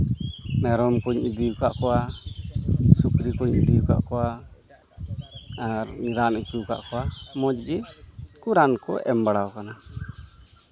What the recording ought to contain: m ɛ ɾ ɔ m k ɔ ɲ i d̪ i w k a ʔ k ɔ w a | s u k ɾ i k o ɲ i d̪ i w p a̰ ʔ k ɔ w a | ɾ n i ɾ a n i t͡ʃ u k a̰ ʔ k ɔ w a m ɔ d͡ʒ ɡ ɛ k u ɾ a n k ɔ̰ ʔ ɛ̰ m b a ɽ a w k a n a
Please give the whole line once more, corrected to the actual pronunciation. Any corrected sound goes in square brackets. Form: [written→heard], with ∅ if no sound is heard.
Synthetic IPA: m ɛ ɾ ɔ m k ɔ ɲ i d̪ i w k a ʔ k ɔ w a | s u k ɾ i k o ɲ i d̪ i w [p→k] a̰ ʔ k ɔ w a | ɾ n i ɾ a n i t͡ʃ u k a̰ ʔ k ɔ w a m ɔ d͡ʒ ɡ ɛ k u ɾ a n k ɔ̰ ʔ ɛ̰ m b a ɽ a w k a n a